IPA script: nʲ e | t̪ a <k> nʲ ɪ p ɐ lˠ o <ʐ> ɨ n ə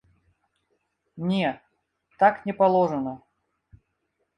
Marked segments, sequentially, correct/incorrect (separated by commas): correct, correct